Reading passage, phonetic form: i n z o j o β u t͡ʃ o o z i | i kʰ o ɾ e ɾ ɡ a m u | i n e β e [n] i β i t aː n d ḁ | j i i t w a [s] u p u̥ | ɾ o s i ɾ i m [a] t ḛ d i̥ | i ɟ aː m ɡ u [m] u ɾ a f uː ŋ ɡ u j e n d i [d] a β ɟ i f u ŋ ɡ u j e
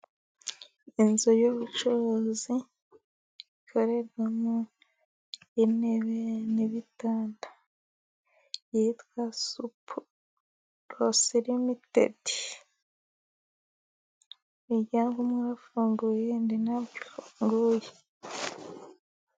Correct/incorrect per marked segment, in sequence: correct, correct, incorrect, correct, incorrect

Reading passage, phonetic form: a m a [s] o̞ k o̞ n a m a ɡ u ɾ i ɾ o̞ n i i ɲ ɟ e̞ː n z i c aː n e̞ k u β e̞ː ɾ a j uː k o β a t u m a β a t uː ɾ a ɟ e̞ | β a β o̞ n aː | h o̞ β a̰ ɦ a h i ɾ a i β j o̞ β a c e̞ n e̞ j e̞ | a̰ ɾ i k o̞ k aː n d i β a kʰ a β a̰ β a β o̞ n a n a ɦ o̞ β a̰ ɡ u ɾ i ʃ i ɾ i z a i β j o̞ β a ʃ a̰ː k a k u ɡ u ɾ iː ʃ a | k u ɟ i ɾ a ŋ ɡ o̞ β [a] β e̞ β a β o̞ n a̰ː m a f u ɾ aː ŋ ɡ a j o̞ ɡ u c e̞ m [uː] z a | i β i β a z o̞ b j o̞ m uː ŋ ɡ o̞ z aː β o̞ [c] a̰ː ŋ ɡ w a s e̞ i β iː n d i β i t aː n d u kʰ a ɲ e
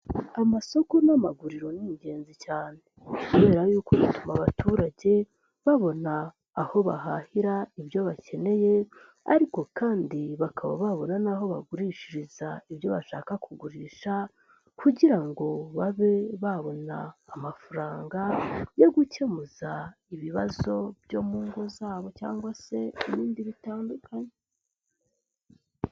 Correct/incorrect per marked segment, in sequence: correct, correct, incorrect, correct

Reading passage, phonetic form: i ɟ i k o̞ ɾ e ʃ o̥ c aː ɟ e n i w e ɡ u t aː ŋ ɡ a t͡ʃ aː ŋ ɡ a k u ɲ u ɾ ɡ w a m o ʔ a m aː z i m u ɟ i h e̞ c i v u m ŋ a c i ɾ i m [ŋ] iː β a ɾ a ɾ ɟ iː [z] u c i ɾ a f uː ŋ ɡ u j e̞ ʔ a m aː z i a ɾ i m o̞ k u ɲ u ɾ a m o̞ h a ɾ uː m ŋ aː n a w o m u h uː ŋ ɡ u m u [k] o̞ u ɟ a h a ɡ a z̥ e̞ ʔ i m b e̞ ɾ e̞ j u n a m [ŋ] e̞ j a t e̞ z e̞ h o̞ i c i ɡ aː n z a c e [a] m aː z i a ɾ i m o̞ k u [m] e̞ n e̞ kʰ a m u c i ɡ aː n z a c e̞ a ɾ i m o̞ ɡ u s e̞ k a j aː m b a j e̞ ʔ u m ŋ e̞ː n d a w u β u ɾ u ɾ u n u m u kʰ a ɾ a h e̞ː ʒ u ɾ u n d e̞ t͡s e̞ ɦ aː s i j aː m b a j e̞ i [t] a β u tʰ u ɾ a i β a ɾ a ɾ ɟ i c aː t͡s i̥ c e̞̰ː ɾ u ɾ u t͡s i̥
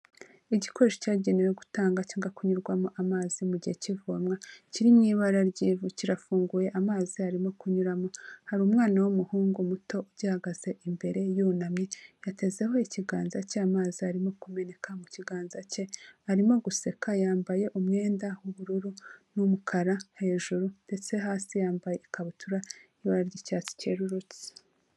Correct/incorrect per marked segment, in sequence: incorrect, incorrect, incorrect, incorrect, correct, correct, incorrect

